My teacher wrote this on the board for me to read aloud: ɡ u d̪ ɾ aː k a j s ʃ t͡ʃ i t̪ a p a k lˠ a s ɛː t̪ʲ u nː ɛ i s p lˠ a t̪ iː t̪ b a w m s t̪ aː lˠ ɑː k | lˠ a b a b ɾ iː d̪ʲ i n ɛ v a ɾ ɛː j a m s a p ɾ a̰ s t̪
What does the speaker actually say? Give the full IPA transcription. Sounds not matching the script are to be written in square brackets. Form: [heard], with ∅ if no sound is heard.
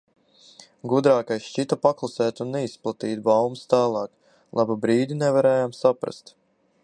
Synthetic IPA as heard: ɡ u d̪ ɾ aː k a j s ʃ t͡ʃ i t̪ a p a k lˠ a s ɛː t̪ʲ u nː ɛ i s p lˠ a t̪ iː t̪ b a w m s t̪ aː lˠ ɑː k | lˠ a b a b ɾ iː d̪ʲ i n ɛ v a ɾ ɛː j a m s a p ɾ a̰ s t̪

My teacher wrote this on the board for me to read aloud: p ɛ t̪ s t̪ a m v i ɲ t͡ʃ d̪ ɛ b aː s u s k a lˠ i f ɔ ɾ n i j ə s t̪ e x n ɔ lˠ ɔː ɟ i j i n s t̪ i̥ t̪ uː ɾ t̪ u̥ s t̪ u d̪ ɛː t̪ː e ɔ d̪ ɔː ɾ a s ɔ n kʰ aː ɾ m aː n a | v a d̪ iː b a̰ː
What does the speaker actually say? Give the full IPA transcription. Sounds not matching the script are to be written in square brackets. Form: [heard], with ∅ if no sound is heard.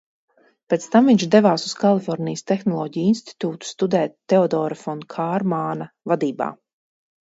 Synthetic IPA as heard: p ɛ t̪ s t̪ a m v i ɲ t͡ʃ d̪ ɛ [v] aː s u s k a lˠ i f ɔ ɾ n i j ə s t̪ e x n ɔ lˠ ɔː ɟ i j i n s t̪ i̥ t̪ uː [∅] t̪ u̥ s t̪ u d̪ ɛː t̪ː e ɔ d̪ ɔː ɾ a [f] ɔ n kʰ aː ɾ m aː n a | v a d̪ iː b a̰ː

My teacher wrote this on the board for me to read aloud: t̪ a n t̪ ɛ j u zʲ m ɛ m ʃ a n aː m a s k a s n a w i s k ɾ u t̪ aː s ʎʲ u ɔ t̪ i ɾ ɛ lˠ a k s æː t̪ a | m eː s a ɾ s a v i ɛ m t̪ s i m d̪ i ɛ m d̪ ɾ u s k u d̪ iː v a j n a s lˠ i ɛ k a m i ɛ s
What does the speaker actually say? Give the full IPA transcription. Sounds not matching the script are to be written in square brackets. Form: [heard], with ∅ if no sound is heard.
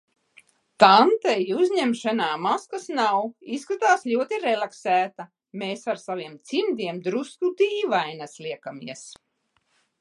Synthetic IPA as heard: t̪ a n t̪ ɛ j u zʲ [ɲ] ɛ m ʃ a n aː m a s k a s n a w i s k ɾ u t̪ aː s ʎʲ u ɔ t̪ i ɾ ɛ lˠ a k s æː t̪ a | m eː s a ɾ s a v i ɛ m t̪ s i m d̪ i ɛ m d̪ ɾ u s k u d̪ iː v a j n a s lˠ i ɛ k a m i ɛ s

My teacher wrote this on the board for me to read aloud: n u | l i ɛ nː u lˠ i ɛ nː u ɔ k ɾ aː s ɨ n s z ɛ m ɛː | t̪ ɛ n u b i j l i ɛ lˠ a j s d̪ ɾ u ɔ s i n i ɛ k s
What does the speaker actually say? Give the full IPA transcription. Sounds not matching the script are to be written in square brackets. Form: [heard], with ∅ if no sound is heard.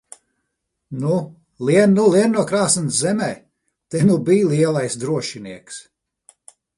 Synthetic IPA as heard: n u | l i ɛ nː u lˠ i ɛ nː u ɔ k ɾ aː s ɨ n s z ɛ m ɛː | t̪ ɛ n u b i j l i ɛ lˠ a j s d̪ ɾ u ɔ [ʃ] i n i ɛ k s

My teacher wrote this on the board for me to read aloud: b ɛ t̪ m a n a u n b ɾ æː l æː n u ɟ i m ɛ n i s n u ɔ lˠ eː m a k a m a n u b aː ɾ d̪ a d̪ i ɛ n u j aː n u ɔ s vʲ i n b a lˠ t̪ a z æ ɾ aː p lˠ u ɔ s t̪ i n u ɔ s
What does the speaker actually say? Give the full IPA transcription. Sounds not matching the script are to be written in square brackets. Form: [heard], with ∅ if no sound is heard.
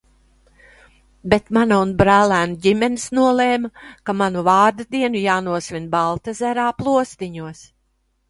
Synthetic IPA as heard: b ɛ t̪ m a n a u n b ɾ æː l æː n u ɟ i m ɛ n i s n u ɔ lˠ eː m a k a m a n u [v] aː ɾ d̪ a d̪ i ɛ n u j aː n u ɔ s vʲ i n b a lˠ t̪ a z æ ɾ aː p lˠ u ɔ s t̪ i [ɲ] u ɔ s

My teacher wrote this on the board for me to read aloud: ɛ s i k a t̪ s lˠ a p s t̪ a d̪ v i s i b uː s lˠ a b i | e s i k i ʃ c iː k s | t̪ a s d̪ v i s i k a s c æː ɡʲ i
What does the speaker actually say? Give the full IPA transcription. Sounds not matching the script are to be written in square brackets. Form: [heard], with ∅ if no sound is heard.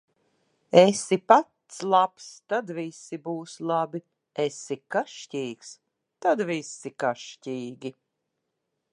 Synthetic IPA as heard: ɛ s i [p] a t̪ s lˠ a p s t̪ a d̪ v i s i b uː s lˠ a b i | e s i k [a] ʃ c iː k s | t̪ a [∅] d̪ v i s i k a [ʃ] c [iː] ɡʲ i

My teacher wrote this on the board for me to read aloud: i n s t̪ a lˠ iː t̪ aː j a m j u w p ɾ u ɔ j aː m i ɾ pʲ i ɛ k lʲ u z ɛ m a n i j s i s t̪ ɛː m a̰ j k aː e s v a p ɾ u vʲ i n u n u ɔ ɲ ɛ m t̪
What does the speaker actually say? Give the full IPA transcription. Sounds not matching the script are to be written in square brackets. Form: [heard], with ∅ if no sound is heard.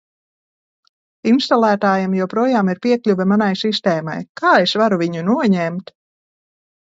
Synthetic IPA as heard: i n s t̪ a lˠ [æː] t̪ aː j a m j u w p ɾ u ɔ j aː m i ɾ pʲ i ɛ k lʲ u [v] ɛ m a n [a] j s i s t̪ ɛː m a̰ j k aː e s v a [∅] ɾ u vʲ i [ɲ] u n u ɔ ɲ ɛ m t̪

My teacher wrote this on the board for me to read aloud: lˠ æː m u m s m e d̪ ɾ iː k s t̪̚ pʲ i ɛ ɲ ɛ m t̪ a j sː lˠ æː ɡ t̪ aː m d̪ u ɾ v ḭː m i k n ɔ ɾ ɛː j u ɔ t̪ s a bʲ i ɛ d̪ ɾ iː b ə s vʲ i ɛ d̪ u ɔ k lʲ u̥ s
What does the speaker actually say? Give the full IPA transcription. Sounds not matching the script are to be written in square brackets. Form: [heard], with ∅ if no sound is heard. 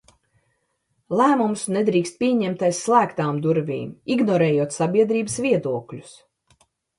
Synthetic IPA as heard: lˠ æː m u m s [n] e d̪ ɾ iː k s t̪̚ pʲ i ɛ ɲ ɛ m t̪ a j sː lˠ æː [k] t̪ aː m d̪ u ɾ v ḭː m i [ɡ] n ɔ ɾ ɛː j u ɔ t̪ s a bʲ i ɛ d̪ ɾ iː b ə s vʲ i ɛ d̪ u ɔ k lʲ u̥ s

